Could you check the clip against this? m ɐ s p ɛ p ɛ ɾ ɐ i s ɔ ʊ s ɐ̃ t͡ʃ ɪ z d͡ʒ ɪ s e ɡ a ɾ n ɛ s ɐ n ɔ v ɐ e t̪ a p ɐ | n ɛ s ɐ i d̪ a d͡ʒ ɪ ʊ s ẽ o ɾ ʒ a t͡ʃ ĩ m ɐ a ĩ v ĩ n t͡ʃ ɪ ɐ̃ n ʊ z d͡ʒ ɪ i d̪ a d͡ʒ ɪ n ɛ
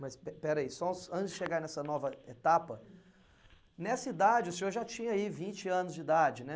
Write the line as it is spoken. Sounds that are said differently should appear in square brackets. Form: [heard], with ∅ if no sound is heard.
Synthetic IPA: m ɐ s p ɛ p ɛ ɾ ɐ i s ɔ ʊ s ɐ̃ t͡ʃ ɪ z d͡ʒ ɪ [ʃ] e ɡ a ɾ n ɛ s ɐ n ɔ v ɐ e t̪ a p ɐ | n ɛ s ɐ i d̪ a d͡ʒ ɪ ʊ s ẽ o ɾ ʒ a t͡ʃ ĩ [ɲ] ɐ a [i] v ĩ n t͡ʃ ɪ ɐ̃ n ʊ z d͡ʒ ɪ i d̪ a d͡ʒ ɪ n ɛ